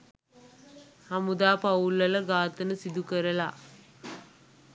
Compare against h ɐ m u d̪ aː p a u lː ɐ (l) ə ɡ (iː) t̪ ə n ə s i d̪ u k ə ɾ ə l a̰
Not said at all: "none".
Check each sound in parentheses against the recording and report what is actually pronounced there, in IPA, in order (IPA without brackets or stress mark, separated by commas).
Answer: l, aː